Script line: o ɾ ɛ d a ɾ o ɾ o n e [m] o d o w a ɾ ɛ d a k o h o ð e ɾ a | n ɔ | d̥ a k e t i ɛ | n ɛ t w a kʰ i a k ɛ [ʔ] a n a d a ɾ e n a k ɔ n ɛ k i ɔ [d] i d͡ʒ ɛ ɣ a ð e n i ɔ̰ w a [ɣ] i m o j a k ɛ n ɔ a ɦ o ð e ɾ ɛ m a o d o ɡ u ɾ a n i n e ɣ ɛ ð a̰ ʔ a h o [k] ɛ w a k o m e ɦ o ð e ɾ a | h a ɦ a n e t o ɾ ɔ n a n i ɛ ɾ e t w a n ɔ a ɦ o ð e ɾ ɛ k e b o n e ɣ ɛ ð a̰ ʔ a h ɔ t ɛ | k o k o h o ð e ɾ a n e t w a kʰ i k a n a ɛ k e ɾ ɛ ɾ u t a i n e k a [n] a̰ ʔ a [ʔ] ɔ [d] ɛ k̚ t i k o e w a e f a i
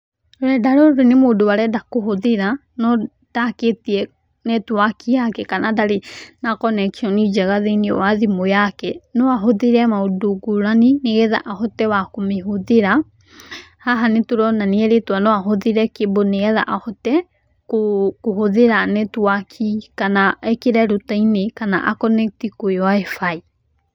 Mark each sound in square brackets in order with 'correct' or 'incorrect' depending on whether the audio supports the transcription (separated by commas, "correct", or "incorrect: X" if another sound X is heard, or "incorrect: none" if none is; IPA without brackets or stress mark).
correct, incorrect: k, incorrect: n, incorrect: ð, incorrect: t, correct, incorrect: k, incorrect: n